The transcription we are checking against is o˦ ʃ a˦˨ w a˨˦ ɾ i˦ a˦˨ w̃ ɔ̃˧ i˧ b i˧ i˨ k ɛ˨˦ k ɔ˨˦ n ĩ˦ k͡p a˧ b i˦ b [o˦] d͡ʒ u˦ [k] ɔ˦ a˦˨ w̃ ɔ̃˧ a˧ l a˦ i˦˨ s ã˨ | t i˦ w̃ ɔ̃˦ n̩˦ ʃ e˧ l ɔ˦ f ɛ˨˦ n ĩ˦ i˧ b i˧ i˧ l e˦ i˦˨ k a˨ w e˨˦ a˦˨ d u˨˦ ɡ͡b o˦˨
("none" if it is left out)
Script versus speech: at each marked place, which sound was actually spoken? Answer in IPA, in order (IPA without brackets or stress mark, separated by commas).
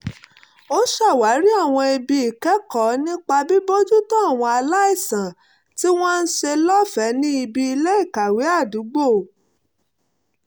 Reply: o˦, t